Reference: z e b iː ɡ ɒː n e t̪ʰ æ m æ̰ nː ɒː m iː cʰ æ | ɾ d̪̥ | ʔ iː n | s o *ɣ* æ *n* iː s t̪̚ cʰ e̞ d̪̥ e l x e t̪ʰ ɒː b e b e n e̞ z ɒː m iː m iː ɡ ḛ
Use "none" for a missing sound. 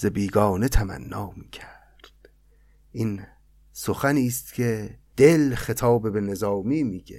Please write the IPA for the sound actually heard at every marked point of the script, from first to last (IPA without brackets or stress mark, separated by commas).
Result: x, n